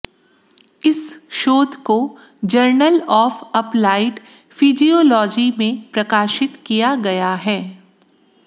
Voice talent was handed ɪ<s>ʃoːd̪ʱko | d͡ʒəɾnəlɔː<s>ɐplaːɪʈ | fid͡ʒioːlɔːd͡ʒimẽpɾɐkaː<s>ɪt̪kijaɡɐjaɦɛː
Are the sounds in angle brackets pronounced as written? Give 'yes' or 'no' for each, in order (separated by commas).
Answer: yes, no, no